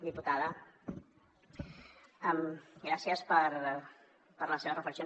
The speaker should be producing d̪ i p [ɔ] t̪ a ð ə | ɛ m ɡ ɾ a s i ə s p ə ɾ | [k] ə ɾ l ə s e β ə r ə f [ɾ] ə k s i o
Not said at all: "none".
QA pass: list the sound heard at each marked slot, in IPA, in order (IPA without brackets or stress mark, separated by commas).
u, p, l